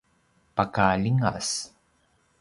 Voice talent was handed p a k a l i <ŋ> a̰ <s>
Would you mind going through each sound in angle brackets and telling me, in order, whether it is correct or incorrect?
correct, correct

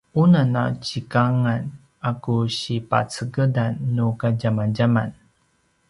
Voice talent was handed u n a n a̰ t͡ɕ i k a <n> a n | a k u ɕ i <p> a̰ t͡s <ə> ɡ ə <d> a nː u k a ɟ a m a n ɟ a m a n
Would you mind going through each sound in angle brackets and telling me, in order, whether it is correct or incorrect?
incorrect, correct, correct, correct

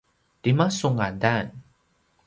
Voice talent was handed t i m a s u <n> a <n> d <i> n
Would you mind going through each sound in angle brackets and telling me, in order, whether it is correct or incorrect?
incorrect, correct, incorrect

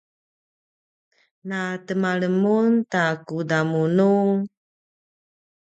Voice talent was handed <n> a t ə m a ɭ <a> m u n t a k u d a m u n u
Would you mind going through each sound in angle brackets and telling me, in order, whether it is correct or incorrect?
correct, incorrect

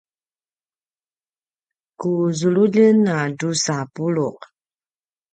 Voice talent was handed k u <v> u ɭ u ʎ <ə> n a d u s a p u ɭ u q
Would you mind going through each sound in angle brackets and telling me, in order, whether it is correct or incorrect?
incorrect, correct

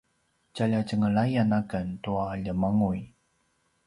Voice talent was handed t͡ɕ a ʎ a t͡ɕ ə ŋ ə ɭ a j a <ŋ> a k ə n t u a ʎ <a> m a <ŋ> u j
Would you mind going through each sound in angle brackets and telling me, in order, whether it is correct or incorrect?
incorrect, incorrect, correct

